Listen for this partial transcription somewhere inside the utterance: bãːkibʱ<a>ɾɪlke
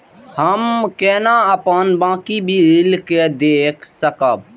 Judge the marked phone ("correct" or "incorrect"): incorrect